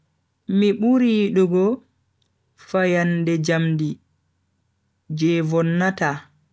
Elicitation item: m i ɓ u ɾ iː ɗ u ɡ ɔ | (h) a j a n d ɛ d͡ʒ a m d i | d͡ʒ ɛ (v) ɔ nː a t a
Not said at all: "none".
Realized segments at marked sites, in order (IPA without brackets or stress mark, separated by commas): f, v